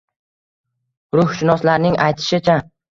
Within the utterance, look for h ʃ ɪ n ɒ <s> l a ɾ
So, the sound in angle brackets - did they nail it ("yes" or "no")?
yes